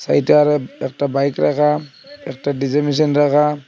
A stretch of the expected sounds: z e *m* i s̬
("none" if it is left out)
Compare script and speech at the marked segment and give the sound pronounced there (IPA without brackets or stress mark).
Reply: m